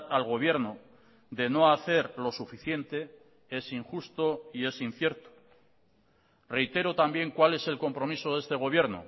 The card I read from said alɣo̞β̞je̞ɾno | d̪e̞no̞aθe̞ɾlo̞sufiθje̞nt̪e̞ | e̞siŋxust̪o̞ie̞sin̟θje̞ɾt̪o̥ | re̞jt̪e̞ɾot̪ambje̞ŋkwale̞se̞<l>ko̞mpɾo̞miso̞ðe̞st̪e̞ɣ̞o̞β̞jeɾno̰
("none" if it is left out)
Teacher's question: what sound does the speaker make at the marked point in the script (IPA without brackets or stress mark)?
l